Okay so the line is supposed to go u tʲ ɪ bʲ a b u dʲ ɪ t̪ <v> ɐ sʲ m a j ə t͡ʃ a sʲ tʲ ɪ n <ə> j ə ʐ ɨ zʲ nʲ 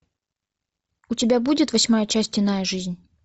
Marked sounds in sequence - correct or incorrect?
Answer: correct, incorrect: a

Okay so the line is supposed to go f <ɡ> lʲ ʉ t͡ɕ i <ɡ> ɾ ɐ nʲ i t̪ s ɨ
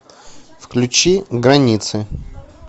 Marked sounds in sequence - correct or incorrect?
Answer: incorrect: k, correct

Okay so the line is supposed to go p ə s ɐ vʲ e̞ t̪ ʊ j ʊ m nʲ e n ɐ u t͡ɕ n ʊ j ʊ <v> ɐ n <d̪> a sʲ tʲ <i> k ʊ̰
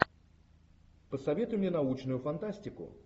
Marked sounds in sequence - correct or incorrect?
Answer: incorrect: f, incorrect: t̪, incorrect: ɪ

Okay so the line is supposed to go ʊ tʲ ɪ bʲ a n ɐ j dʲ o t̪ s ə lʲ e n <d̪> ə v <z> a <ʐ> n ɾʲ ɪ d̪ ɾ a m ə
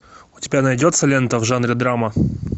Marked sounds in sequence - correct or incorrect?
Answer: incorrect: t̪, incorrect: ʐ, incorrect: none

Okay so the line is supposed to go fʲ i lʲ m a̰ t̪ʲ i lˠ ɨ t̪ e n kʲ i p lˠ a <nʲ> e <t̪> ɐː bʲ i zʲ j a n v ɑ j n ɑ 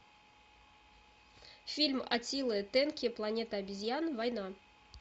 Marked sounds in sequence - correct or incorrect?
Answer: correct, correct

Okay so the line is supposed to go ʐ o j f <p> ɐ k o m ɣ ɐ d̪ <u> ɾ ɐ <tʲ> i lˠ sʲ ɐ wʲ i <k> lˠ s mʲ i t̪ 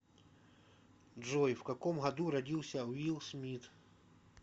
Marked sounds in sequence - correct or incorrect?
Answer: incorrect: k, correct, incorrect: dʲ, incorrect: none

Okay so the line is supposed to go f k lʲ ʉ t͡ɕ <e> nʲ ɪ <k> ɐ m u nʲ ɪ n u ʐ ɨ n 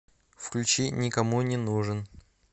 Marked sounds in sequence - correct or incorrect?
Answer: incorrect: i, correct

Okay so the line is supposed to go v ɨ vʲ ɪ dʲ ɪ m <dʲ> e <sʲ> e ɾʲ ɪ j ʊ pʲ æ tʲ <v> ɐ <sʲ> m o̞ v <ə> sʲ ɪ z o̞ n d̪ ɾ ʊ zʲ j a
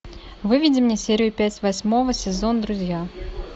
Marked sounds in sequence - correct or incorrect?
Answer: incorrect: nʲ, correct, correct, correct, correct

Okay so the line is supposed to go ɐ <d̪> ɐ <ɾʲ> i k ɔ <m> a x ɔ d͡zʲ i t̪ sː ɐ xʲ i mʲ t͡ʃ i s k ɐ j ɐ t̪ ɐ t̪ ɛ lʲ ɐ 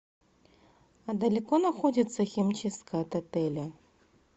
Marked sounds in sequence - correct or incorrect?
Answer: correct, incorrect: lʲ, incorrect: n

